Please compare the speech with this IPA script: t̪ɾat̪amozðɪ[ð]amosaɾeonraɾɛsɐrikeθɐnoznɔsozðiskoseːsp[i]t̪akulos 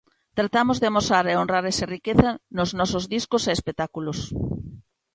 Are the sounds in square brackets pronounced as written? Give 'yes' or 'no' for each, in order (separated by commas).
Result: no, no